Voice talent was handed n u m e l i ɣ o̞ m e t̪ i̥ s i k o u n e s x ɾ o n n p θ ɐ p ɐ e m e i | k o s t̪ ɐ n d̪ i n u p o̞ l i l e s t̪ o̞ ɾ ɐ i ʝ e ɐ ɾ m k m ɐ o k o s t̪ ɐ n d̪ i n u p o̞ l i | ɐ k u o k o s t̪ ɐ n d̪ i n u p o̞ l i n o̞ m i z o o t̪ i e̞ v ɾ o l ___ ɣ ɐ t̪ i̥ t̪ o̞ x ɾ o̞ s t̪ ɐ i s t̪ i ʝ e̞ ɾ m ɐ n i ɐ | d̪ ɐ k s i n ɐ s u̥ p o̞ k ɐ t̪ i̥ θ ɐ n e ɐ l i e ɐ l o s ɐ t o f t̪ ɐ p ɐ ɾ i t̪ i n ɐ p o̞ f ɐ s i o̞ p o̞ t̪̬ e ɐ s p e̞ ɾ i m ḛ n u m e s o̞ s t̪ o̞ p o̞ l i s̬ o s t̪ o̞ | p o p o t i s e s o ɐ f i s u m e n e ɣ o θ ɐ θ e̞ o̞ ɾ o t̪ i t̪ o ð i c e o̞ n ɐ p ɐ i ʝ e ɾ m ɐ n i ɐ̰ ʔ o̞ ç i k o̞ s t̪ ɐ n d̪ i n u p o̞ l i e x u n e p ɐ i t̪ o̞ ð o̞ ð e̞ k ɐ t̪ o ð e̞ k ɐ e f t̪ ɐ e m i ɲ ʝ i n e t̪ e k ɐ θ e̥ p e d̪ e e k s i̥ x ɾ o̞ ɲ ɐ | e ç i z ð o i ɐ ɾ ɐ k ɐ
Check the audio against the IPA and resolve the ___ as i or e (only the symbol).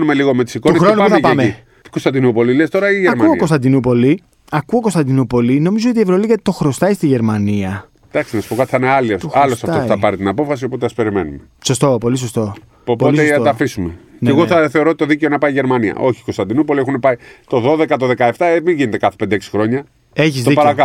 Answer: i